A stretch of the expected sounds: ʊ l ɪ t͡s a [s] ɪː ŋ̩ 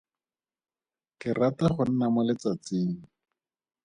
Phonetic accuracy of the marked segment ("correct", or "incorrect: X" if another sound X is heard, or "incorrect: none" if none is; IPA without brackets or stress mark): incorrect: t͡s